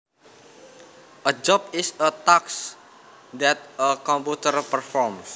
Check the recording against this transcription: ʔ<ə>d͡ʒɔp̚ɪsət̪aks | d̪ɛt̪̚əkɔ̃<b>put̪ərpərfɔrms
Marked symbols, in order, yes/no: yes, no

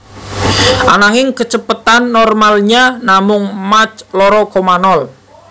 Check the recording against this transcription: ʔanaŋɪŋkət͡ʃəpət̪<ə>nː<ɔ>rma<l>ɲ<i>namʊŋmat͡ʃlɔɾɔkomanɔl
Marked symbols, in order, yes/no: no, yes, yes, no

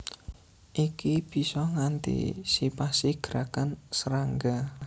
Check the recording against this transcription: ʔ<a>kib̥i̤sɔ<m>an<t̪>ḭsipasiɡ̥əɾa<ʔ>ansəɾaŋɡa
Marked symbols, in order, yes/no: no, no, yes, no

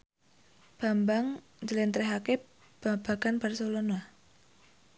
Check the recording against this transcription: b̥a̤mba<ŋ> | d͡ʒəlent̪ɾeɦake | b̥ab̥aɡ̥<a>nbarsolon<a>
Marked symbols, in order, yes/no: yes, yes, yes

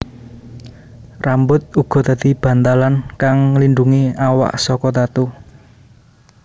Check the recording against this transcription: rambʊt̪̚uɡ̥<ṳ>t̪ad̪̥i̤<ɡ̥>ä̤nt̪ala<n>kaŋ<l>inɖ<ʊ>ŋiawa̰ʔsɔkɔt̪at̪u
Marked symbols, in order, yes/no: no, no, yes, yes, no

